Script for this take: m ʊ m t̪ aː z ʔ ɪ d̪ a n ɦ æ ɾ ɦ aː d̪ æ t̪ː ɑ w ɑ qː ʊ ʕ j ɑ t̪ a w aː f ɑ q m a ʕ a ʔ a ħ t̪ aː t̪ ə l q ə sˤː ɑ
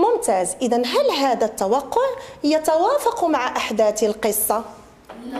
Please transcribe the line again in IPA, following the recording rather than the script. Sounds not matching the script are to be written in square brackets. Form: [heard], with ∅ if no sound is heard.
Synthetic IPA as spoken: m ʊ m t̪ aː z ʔ ɪ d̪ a n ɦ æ [l] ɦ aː d̪ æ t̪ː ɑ w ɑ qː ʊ ʕ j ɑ t̪ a w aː f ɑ q m a ʕ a ʔ a ħ [d̪] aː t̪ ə l q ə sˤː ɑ